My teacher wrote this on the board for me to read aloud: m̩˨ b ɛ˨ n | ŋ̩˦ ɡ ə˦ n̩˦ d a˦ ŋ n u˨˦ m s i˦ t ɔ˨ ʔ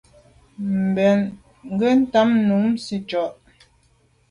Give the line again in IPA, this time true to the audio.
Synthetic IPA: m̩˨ b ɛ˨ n | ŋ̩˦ ɡ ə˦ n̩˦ t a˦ m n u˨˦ m s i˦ t͡ʃ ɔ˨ ʔ